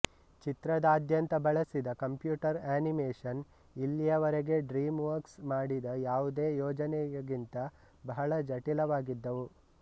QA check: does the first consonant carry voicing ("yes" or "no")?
no